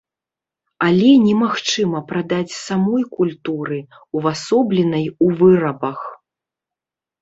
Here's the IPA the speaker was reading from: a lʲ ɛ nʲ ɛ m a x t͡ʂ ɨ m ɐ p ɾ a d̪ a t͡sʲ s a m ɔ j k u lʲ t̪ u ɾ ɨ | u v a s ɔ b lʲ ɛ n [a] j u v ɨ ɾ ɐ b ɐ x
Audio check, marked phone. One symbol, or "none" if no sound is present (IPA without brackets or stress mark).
ɐ